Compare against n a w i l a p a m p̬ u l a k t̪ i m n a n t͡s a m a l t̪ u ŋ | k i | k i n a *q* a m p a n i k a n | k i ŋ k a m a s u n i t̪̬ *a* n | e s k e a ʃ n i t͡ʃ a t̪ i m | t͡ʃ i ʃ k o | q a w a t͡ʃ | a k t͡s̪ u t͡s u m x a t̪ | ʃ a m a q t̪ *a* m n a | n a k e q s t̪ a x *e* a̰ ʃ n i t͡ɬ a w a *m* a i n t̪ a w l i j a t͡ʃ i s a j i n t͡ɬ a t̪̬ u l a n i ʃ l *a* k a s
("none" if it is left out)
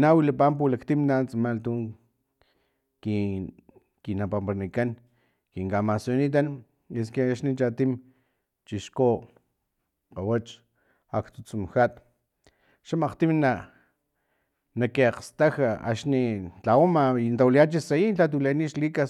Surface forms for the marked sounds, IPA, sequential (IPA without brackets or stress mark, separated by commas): p, a, i, a, m, i